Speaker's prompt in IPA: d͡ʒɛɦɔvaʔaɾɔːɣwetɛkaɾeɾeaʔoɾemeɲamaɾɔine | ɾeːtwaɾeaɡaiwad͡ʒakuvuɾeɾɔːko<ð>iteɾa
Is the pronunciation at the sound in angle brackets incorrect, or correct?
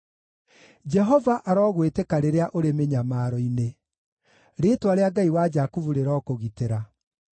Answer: incorrect